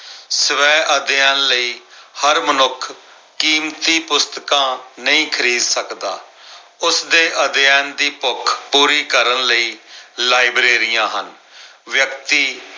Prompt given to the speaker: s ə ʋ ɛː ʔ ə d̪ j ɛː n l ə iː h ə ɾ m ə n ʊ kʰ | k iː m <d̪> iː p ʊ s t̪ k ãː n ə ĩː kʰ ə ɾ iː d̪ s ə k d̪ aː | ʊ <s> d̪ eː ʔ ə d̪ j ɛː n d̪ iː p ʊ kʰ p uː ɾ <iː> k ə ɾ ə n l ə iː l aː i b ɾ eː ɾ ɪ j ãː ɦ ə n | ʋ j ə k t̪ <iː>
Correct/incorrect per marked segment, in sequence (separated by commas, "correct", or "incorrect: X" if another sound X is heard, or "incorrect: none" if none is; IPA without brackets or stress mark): incorrect: t̪, correct, correct, correct